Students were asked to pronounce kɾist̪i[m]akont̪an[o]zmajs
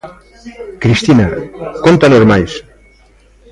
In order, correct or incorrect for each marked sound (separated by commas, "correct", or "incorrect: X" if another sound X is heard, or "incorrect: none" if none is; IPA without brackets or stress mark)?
incorrect: n, correct